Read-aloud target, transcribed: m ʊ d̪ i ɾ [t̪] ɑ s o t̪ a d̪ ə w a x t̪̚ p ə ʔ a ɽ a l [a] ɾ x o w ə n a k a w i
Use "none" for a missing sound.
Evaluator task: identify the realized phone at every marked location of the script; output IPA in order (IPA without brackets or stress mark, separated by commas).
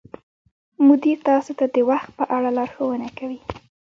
t̪, ɑ